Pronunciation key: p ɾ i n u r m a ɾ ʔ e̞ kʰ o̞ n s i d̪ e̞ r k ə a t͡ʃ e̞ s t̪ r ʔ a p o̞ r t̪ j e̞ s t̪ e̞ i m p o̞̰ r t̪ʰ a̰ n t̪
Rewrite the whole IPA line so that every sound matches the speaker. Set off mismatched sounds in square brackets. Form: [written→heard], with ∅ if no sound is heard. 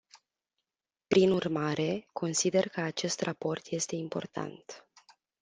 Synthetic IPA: p ɾ i n u r m a ɾ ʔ e̞ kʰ o̞ n s i d̪ e̞ r k ə a t͡ʃ e̞ s t̪ r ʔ a p o̞ r t̪ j e̞ s t̪ e̞ i m p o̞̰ r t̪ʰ a̰ n t̪